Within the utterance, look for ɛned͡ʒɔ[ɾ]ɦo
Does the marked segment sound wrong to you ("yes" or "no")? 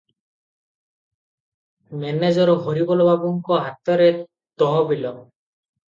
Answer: no